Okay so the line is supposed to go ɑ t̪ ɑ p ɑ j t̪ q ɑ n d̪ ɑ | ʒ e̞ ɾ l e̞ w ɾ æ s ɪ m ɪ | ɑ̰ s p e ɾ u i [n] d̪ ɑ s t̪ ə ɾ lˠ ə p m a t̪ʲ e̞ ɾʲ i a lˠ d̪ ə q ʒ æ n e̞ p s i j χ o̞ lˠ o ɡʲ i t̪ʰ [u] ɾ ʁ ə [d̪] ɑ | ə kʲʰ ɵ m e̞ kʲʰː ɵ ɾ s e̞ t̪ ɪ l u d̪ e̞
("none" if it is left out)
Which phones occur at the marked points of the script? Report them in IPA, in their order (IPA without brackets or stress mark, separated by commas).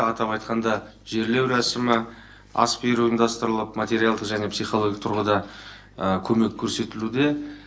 n, ʊ, d̪